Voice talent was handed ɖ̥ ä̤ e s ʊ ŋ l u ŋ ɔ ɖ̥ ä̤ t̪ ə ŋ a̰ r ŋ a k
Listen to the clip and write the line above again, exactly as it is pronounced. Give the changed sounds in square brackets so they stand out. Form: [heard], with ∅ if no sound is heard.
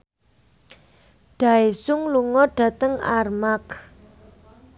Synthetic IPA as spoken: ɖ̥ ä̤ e s ʊ ŋ l u ŋ ɔ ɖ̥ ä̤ t̪ ə ŋ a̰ r [m] a k

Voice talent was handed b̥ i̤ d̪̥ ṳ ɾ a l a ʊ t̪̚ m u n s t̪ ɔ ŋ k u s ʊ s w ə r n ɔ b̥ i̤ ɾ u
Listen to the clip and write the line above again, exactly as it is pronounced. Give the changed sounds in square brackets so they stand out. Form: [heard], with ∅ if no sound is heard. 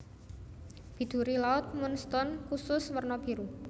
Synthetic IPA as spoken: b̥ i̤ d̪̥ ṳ ɾ [i] l a ʊ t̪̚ m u n s t̪ ɔ [n] k u s ʊ s w ə r n ɔ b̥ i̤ ɾ u

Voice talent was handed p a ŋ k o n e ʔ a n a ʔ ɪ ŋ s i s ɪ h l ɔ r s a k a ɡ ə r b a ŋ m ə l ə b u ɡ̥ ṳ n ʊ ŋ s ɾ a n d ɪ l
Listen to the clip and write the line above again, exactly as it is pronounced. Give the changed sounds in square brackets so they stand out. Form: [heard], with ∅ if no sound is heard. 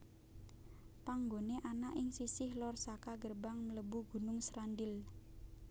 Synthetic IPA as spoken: p a ŋ [ɡ] o n e ʔ a n a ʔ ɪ ŋ s i s ɪ h l ɔ r s a k a ɡ ə r b a ŋ m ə l ə b u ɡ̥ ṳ n ʊ ŋ s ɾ a n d ɪ l

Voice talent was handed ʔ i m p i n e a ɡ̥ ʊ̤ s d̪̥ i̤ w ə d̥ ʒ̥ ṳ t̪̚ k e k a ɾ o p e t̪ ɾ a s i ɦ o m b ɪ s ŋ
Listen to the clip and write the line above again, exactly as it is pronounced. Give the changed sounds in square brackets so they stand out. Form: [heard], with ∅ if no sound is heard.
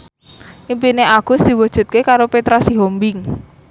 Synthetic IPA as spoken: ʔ i m p i n e a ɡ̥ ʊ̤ s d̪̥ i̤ w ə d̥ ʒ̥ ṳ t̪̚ k e k a ɾ o p e t̪ ɾ a s i ɦ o m b ɪ [∅] ŋ

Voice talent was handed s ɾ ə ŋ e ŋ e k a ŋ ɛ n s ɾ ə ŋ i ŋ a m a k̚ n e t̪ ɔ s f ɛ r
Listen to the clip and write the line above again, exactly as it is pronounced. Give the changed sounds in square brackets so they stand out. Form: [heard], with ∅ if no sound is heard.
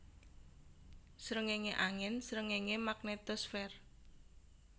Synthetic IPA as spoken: s ɾ ə ŋ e ŋ e [ʔ] a ŋ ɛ n s ɾ ə ŋ [e] ŋ [e] m a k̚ n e t̪ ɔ s f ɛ r

